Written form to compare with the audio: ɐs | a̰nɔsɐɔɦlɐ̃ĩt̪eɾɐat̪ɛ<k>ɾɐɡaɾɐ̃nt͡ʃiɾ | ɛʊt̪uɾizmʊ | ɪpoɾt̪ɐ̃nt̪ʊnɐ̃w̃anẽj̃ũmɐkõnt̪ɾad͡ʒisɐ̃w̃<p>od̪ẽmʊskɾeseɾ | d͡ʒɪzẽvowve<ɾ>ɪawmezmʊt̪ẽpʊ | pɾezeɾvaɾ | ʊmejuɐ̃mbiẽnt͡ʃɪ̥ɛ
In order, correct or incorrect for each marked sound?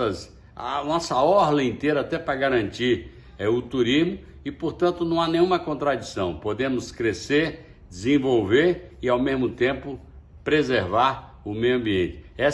incorrect: p, correct, correct

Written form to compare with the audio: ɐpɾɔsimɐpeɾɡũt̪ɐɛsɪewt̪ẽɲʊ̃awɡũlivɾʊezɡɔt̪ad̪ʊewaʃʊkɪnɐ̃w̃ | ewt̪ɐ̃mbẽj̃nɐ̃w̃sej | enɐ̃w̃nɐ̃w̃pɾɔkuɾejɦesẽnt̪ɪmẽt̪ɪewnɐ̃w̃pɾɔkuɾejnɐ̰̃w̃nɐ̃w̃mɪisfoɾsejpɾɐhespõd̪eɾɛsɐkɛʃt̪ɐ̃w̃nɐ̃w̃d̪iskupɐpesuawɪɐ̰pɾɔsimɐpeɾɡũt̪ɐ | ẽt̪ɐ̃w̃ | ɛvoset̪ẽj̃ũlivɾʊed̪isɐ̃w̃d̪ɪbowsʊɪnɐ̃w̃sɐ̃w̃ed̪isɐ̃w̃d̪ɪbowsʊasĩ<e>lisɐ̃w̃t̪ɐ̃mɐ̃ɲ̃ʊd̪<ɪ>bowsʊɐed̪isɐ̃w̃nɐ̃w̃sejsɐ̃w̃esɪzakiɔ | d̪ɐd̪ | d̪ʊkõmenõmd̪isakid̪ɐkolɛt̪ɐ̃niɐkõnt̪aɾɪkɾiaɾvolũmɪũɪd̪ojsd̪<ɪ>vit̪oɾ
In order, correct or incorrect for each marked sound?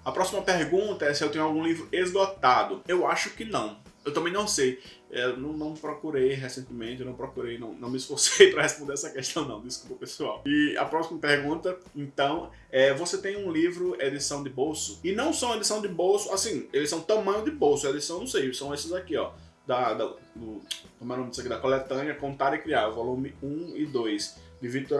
correct, correct, correct

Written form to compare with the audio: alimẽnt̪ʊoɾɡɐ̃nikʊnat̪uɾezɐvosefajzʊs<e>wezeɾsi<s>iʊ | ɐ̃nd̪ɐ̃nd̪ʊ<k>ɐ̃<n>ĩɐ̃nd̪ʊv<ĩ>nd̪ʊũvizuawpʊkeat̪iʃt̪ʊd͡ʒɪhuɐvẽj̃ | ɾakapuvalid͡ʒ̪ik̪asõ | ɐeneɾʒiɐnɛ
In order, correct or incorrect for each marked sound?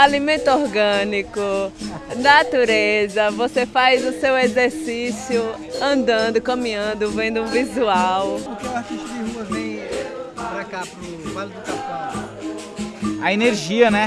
correct, correct, correct, incorrect: m, incorrect: ẽ

